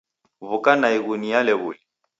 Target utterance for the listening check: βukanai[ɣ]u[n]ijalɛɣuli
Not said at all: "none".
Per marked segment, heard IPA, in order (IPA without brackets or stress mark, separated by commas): ɣ, n